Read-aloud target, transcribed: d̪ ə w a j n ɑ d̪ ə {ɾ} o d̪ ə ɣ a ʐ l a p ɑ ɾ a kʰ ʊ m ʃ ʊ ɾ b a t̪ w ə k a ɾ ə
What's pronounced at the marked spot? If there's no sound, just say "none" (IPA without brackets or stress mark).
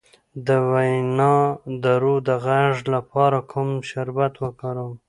ɾ